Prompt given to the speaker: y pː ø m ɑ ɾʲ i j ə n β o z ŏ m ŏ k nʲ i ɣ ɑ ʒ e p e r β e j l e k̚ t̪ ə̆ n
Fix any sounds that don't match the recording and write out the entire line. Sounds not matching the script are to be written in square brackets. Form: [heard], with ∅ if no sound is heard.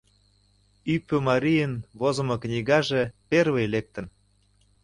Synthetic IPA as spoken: y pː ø m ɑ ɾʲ i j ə n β o z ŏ m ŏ k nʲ i ɣ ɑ ʒ e p e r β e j l e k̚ t̪ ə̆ n